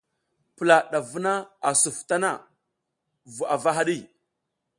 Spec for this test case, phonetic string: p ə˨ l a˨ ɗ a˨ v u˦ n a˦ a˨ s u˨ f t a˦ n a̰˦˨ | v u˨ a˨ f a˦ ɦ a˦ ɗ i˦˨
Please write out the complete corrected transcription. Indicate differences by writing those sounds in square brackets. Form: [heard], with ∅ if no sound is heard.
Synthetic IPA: p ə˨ l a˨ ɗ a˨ v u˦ n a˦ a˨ s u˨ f t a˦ n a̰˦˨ | v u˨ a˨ [v] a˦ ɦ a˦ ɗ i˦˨